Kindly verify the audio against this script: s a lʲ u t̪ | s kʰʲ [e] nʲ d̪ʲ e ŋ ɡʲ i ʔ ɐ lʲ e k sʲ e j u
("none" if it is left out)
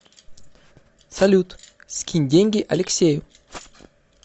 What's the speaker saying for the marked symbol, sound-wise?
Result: i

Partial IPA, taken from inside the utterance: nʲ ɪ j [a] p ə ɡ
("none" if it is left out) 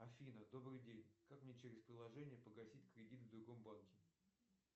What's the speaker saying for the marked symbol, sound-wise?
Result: ə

